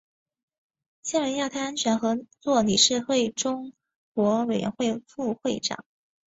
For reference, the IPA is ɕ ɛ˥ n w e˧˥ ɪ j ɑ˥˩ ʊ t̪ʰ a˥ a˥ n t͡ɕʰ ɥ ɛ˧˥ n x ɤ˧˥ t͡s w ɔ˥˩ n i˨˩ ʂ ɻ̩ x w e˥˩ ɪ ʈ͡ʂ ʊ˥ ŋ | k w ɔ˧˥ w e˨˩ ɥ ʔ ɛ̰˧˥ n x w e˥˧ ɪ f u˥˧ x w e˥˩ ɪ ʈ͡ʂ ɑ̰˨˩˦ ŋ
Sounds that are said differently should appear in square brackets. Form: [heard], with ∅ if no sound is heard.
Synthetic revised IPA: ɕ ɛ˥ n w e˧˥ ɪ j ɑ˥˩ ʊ t̪ʰ a˥ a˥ n t͡ɕʰ ɥ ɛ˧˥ n x ɤ˧˥ t͡s w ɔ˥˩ n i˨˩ ʂ ɻ̩ x w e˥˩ ɪ ʈ͡ʂ ʊ˥ ŋ | k w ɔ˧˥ w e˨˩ ɥ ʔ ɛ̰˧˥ n x w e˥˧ ɪ f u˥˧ x w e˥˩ ɪ ʈ͡ʂ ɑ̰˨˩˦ ŋ